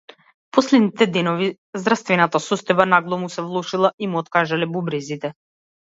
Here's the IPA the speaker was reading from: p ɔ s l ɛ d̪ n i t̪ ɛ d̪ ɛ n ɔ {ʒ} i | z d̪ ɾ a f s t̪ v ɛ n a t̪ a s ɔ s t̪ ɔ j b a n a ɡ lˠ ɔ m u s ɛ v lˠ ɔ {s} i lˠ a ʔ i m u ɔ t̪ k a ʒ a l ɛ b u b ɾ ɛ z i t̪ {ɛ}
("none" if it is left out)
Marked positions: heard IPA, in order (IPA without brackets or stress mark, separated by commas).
v, ʃ, ɛ